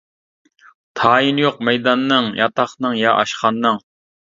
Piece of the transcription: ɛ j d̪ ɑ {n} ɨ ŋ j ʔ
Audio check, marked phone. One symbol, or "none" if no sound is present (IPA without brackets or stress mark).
nː